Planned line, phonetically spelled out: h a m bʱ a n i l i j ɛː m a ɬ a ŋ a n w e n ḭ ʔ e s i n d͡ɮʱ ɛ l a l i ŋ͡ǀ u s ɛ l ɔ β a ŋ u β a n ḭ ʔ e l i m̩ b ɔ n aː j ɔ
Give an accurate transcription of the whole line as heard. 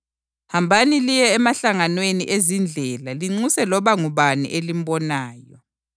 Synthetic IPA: h a m bʱ a n i l i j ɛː m a ɬ a ŋ a n w e n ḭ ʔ e z i n d͡ɮʱ ɛ l a l i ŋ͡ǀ u s ɛ l ɔ β a ŋ u β a n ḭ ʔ e l i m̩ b ɔ n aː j ɔ